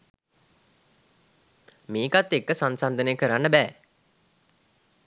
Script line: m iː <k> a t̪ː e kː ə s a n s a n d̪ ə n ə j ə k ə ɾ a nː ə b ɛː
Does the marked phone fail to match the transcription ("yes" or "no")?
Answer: no